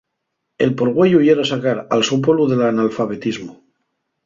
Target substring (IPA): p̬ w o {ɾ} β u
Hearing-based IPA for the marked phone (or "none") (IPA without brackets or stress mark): l